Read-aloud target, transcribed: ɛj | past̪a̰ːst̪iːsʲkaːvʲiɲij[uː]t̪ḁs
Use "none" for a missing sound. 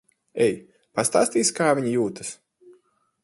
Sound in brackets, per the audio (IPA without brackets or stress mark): uː